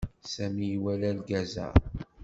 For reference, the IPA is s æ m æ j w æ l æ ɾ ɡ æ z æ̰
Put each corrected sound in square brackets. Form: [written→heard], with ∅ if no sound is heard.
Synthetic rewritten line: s æ m [æ→i] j w æ l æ [ɾ→l] ɡ æ z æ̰